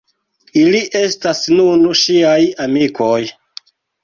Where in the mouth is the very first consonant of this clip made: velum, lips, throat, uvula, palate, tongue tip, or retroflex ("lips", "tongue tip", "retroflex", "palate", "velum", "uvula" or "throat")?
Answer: tongue tip